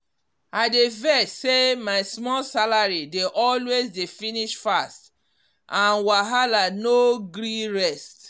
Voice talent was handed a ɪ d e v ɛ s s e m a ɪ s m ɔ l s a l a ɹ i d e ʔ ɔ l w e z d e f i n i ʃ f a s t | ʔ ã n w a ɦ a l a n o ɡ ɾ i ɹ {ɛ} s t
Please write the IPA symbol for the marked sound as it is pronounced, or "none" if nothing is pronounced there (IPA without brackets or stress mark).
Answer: ɛ